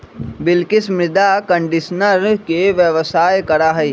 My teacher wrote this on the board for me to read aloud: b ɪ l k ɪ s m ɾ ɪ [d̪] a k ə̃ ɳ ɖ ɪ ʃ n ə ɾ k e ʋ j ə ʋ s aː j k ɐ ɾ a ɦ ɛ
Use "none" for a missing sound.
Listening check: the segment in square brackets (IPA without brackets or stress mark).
d̪